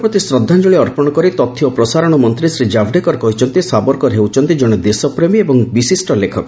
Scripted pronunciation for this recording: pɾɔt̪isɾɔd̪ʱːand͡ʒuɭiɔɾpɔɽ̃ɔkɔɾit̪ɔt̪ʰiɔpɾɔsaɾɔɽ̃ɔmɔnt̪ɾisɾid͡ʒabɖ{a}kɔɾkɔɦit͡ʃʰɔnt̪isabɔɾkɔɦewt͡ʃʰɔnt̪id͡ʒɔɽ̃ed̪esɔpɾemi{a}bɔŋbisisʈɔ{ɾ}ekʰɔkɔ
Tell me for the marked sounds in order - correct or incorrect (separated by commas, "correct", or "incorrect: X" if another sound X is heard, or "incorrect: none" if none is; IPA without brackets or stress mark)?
incorrect: e, incorrect: e, incorrect: l